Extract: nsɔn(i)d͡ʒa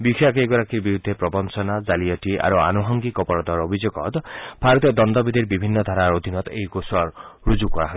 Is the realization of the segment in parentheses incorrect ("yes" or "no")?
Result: yes